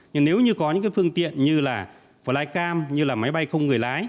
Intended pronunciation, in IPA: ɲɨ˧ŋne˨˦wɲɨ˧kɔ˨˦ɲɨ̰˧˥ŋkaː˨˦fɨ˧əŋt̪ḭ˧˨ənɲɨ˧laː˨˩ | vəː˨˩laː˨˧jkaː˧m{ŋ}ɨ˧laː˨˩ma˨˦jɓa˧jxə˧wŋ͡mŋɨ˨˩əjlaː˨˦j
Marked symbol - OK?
no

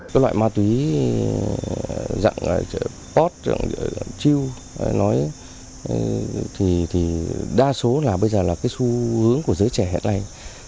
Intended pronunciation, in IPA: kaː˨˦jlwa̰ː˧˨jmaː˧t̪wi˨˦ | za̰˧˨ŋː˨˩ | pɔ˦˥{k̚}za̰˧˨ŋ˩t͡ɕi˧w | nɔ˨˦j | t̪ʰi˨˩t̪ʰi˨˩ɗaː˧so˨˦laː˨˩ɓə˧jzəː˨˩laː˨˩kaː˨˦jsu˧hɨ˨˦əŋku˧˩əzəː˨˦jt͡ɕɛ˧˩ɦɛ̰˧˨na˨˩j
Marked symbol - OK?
no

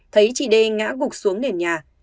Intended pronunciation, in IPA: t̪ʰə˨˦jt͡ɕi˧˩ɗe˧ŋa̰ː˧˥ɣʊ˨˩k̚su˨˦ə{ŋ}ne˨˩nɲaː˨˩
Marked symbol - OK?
yes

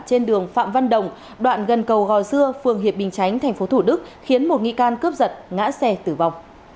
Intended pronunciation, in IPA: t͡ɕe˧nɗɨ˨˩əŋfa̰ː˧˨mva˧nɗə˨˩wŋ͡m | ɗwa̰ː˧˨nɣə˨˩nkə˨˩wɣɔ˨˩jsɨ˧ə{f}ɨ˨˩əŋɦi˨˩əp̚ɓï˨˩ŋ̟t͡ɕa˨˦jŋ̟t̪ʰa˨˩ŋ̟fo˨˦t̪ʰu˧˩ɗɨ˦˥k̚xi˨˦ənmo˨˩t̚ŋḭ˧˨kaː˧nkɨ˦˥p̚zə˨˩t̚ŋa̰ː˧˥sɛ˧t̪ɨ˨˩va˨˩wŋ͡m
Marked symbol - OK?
yes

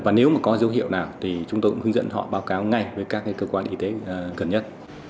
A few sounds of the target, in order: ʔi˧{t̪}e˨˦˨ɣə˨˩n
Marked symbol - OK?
yes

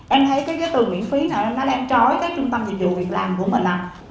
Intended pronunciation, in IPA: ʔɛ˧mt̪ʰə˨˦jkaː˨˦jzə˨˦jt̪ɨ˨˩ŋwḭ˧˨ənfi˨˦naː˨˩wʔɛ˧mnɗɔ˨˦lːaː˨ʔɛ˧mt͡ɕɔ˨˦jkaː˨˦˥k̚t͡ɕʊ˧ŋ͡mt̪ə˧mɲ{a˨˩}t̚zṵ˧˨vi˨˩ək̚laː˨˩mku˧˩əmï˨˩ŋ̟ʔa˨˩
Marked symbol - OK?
no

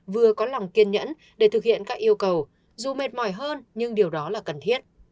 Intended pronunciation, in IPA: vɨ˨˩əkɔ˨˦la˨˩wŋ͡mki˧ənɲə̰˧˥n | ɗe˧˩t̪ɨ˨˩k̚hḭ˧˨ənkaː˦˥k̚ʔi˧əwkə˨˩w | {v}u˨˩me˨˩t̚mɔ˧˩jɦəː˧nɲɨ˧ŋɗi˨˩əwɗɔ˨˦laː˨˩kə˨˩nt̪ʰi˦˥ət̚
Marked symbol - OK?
no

